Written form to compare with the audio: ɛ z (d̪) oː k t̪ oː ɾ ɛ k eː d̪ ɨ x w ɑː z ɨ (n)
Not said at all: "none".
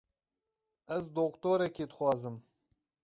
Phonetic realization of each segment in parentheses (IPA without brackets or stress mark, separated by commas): d̪, m